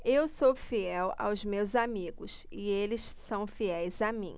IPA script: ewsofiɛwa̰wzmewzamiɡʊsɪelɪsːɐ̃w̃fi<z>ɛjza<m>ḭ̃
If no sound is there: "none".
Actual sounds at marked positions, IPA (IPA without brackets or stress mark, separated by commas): none, m